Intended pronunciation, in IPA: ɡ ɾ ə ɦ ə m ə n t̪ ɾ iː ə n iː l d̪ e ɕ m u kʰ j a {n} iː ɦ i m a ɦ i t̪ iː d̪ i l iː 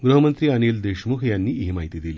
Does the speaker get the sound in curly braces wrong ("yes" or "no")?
yes